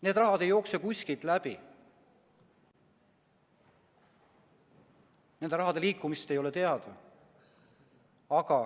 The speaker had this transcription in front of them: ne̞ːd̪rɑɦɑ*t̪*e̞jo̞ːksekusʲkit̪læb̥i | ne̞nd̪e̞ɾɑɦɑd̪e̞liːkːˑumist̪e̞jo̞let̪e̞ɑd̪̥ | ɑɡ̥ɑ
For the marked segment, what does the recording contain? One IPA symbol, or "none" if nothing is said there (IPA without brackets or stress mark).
d̪